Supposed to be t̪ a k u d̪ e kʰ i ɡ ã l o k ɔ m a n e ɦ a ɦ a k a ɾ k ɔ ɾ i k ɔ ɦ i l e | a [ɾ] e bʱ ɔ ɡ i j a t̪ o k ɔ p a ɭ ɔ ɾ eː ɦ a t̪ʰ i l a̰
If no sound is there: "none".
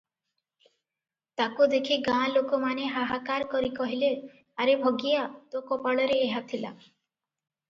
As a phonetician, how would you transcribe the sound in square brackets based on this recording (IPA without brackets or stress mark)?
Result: ɾ